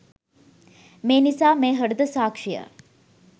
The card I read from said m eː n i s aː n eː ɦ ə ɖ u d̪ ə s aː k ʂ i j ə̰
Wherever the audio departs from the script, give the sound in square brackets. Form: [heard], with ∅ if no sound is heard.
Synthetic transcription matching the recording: m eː n i s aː [m] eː ɦ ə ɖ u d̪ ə s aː k ʂ i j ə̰